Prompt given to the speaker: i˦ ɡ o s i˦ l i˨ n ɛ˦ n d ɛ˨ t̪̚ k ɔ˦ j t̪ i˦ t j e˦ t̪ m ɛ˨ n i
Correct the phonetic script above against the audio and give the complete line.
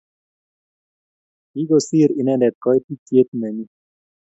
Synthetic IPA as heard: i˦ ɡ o s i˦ ɾ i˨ n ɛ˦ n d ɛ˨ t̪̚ k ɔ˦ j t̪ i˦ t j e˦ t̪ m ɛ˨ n i